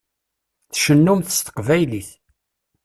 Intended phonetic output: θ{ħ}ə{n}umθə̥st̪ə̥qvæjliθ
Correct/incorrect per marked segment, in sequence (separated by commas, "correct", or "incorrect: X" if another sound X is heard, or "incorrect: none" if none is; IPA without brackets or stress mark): incorrect: ʃ, incorrect: nː